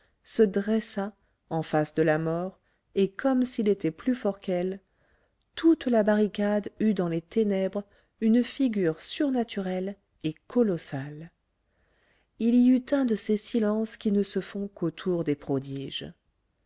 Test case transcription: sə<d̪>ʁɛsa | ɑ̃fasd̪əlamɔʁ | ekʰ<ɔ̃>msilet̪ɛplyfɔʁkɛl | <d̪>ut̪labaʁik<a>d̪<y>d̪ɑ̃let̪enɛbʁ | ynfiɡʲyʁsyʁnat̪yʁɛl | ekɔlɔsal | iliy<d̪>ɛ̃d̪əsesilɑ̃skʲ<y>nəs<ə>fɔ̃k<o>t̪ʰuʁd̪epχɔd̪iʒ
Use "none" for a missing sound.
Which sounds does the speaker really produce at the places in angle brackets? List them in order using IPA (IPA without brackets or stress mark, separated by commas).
d̪, ɔ, t̪, a, y, t̪, i, ə, o